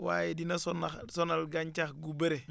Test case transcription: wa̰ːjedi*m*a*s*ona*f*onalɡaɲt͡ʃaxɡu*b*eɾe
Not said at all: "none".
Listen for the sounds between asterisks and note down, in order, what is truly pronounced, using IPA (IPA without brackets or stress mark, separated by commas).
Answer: n, s, s, b